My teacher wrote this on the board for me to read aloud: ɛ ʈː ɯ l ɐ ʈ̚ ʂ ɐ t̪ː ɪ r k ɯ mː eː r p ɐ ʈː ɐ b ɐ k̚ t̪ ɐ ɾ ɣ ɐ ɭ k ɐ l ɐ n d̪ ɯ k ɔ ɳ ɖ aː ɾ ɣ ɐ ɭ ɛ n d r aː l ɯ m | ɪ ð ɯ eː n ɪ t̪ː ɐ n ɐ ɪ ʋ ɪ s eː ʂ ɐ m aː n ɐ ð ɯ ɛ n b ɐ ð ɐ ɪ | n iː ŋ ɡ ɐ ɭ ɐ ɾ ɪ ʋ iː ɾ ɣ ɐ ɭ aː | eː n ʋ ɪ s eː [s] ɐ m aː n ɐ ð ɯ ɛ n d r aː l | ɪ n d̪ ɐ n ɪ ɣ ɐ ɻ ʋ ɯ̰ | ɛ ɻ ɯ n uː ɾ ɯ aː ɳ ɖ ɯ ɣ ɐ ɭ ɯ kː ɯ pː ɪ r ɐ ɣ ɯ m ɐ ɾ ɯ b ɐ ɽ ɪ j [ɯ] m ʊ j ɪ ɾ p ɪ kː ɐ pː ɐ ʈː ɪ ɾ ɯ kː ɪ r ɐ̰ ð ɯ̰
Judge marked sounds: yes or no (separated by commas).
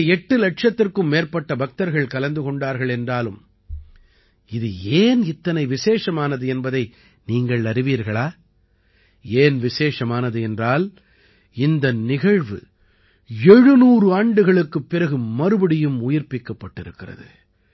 no, yes